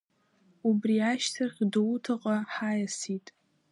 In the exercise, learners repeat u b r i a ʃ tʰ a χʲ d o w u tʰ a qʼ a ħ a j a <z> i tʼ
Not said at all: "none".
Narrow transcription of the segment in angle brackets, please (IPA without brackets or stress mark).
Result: s